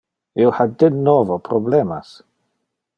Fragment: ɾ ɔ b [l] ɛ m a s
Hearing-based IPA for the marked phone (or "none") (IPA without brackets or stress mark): l